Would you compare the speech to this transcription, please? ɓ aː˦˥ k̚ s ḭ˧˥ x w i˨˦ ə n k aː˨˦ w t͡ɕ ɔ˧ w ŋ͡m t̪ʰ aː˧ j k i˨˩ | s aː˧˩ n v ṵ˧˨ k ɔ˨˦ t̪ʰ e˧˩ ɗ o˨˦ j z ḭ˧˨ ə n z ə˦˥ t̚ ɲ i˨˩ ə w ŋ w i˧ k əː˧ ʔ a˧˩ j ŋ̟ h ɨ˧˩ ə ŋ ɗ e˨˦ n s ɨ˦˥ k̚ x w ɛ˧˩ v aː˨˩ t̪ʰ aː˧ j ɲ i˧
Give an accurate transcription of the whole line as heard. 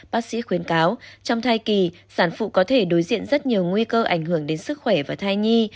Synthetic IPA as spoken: ɓ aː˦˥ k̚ s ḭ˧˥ x w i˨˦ ə n k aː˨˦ w t͡ɕ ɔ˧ w ŋ͡m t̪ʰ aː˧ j k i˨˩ | s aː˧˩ n f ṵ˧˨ k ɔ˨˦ t̪ʰ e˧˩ ɗ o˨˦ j z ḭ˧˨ ə n z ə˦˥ t̚ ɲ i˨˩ ə w ŋ w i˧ k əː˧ ʔ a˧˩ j ŋ̟ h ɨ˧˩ ə ŋ ɗ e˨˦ n s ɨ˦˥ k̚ x w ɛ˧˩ v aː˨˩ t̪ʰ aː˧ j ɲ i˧